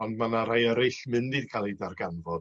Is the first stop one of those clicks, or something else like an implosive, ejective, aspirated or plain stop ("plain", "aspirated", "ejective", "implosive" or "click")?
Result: plain